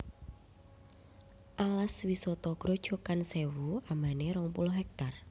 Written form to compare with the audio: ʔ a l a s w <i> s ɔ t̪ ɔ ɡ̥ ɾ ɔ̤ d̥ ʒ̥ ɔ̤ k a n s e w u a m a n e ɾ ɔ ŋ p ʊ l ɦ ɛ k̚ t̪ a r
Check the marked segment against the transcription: correct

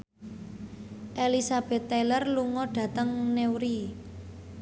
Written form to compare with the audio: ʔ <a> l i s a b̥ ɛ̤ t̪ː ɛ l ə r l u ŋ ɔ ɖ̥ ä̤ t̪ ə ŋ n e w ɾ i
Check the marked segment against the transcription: incorrect: e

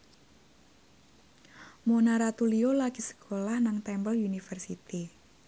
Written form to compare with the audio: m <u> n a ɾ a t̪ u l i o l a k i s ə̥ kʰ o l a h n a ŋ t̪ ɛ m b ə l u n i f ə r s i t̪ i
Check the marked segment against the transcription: incorrect: o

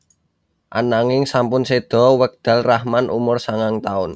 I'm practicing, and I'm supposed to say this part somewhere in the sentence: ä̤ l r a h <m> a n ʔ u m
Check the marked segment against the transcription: correct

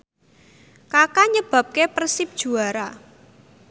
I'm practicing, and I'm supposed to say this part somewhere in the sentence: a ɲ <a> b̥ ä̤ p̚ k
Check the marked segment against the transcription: incorrect: ə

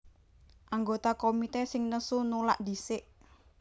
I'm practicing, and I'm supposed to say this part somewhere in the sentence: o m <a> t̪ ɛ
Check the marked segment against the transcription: incorrect: i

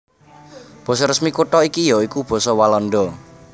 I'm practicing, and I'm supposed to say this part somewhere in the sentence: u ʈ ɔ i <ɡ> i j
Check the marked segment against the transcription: incorrect: k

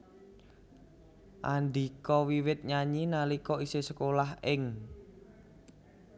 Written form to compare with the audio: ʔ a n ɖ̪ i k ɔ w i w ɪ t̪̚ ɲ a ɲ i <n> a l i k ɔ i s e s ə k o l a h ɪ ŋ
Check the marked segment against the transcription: correct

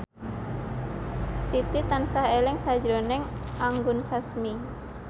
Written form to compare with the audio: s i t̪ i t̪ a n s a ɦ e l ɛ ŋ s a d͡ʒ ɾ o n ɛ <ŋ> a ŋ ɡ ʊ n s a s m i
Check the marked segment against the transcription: correct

